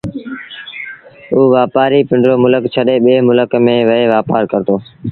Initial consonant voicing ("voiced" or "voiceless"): voiced